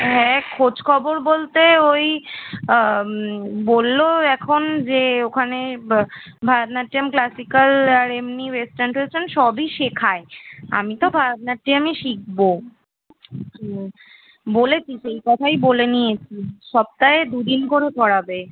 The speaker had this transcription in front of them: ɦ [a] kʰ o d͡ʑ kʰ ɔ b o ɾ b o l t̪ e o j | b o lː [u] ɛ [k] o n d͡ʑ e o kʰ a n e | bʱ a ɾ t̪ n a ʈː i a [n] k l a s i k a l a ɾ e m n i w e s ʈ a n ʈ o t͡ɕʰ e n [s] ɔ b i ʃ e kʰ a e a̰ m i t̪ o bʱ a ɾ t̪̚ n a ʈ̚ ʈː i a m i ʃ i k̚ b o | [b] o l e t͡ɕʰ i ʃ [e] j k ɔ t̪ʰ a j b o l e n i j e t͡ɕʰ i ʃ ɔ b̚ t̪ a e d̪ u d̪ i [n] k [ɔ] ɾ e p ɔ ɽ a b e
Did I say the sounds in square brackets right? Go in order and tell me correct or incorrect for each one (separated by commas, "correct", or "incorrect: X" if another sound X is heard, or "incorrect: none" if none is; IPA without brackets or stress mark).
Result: incorrect: ɛ, incorrect: o, incorrect: kʰ, incorrect: m, incorrect: ʃ, correct, correct, correct, incorrect: o